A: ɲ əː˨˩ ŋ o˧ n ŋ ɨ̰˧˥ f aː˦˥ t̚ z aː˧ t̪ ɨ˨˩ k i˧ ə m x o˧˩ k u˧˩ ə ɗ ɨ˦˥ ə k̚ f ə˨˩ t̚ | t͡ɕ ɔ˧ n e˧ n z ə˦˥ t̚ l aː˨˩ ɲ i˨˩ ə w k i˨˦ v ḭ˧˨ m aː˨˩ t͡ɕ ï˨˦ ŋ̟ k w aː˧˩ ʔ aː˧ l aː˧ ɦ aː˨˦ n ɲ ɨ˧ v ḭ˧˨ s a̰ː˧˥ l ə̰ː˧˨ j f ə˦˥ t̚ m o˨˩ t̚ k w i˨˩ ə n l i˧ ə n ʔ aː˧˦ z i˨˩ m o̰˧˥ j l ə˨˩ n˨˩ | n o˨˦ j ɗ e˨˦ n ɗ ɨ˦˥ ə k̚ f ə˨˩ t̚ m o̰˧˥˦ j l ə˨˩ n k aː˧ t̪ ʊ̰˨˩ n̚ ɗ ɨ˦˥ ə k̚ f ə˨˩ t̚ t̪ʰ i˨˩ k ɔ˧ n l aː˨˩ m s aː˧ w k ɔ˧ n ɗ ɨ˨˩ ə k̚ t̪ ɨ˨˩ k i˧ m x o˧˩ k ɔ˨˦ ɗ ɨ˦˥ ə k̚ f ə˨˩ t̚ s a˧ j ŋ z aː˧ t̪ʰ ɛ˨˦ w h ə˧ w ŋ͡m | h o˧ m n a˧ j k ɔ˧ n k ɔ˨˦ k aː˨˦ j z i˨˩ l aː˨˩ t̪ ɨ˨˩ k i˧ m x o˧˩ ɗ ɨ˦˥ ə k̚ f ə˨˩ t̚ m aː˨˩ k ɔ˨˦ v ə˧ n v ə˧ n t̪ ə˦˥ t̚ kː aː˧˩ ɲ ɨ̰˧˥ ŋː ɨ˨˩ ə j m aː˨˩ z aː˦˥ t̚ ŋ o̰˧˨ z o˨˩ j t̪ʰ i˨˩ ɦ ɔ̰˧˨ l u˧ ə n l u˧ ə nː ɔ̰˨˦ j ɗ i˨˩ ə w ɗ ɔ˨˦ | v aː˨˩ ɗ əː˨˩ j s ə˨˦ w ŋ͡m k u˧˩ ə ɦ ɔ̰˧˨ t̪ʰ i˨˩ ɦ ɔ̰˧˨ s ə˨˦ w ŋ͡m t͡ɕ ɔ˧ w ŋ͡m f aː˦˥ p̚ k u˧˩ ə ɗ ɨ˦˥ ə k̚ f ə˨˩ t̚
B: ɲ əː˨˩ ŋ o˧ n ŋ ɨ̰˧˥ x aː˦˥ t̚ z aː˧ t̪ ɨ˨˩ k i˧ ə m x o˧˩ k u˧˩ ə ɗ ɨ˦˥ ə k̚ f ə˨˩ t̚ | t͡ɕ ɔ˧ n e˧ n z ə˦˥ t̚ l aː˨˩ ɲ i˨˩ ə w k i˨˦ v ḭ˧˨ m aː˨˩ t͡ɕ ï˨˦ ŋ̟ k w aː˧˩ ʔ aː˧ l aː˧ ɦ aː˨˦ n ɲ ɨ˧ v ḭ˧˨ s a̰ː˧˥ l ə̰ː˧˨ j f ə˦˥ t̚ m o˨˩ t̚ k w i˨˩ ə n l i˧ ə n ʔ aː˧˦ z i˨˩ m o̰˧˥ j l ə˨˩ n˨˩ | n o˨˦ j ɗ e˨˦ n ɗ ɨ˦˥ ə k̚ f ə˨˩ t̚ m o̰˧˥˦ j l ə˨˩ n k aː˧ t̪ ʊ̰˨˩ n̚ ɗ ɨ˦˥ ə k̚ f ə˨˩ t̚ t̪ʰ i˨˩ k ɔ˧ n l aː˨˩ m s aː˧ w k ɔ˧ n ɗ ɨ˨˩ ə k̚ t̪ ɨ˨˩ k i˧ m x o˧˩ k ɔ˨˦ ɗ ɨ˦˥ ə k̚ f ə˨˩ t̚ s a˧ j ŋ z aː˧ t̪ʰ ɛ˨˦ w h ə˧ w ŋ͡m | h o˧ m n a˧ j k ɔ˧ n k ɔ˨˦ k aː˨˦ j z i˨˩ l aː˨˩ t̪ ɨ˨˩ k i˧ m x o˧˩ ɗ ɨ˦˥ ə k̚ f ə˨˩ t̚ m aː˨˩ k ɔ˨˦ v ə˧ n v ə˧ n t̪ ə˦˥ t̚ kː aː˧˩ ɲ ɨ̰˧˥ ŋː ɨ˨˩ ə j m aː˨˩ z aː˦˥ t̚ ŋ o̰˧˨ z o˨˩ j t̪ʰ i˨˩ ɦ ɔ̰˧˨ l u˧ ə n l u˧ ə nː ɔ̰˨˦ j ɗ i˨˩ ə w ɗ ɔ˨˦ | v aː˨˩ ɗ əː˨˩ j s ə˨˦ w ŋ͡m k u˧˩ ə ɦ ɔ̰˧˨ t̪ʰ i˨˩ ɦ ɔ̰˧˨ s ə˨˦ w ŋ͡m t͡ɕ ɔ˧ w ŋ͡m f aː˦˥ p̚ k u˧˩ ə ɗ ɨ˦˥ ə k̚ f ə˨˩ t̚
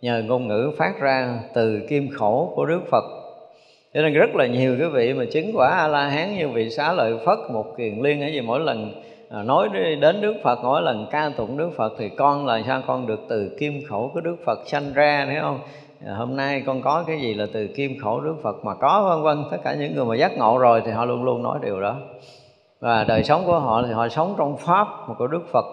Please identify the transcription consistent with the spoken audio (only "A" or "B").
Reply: A